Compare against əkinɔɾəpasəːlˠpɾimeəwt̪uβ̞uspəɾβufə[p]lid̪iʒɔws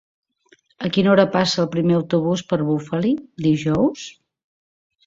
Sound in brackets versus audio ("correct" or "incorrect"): incorrect